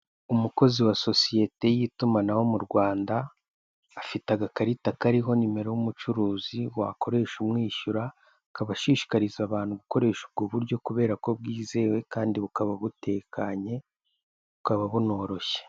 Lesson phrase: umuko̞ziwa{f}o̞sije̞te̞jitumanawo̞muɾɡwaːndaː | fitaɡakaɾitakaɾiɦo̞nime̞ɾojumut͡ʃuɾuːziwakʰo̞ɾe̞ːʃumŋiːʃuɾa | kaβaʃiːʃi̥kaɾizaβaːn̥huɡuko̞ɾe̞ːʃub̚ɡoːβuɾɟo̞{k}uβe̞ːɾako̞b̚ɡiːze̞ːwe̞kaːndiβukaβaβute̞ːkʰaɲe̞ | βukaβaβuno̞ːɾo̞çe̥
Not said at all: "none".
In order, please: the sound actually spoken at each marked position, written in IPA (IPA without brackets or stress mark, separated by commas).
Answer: s, k